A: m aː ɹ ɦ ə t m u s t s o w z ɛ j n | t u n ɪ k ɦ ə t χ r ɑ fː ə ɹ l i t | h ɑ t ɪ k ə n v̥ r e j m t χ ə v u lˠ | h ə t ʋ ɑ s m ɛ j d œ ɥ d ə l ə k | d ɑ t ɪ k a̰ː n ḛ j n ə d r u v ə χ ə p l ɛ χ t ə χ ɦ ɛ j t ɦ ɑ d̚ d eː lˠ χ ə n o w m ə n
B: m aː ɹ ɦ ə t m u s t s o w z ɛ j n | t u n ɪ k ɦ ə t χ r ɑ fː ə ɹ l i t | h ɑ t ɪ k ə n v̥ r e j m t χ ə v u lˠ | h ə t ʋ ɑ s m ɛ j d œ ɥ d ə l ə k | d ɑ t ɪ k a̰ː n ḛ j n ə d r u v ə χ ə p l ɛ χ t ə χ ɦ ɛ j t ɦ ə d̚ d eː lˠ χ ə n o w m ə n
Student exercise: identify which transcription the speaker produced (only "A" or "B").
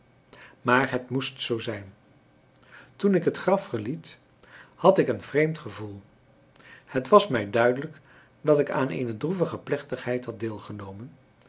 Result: A